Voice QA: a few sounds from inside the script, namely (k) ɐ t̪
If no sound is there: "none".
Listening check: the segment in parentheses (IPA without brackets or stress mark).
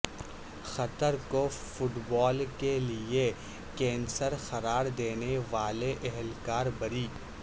x